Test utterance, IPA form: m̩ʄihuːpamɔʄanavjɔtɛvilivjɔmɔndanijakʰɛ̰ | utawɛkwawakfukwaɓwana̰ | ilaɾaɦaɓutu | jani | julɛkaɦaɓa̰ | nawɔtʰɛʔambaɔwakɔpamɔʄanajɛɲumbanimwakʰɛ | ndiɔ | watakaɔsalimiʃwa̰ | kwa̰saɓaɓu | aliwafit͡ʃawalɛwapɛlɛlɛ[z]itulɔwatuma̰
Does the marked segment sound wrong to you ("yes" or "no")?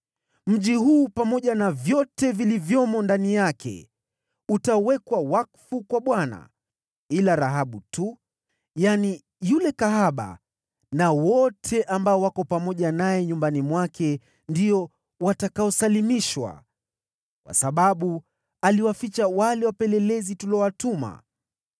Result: no